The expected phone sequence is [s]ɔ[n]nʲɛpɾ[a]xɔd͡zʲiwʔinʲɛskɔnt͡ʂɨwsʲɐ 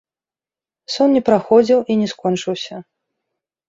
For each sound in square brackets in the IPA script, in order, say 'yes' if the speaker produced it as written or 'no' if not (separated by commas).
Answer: yes, yes, yes